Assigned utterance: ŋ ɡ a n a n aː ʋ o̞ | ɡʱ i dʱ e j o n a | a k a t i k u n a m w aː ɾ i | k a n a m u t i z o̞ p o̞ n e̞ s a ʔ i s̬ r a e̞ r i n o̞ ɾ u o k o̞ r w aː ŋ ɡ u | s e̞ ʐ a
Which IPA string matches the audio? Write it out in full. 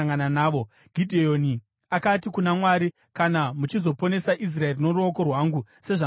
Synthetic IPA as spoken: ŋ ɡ a n a n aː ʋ o̞ | ɡʱ i dʱ e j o n i | a k a t i k u n a m w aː ɾ i | k a n a m u t͡ʃ i z o̞ p o̞ n e̞ s a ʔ i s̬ r a e̞ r i n o̞ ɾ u o k o̞ r w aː ŋ ɡ u | s e̞ ʐ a